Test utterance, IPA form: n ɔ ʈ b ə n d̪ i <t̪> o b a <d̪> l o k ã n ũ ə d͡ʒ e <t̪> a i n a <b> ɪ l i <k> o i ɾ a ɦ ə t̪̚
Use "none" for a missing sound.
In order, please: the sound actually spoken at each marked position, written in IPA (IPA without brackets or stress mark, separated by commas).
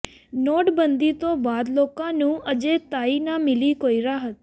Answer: t̪, d̪, t̪, m, k